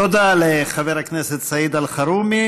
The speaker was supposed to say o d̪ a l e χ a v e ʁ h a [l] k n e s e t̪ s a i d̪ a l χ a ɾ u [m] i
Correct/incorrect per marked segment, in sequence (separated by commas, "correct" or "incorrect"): incorrect, correct